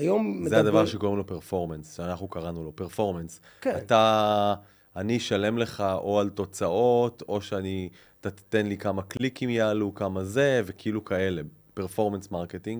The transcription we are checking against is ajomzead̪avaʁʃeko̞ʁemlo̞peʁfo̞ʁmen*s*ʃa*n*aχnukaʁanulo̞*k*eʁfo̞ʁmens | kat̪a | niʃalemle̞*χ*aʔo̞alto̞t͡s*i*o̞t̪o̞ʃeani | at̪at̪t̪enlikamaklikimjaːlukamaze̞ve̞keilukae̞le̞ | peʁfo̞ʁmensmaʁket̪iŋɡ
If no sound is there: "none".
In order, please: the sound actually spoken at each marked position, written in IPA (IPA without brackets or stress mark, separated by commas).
s, n, p, χ, a